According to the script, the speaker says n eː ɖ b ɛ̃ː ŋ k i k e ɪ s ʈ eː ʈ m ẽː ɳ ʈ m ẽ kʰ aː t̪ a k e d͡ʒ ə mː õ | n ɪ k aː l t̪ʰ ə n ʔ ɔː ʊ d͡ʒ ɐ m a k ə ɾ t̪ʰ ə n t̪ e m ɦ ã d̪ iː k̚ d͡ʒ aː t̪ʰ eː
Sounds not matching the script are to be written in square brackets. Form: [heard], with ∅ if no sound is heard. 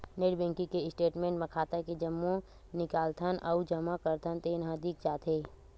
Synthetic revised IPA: n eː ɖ b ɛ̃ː ŋ k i k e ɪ s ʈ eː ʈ m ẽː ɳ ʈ m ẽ kʰ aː t̪ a k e d͡ʒ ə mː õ | n ɪ k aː l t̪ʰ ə n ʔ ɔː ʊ d͡ʒ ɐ m a k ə ɾ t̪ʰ ə n t̪ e [n] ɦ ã d̪ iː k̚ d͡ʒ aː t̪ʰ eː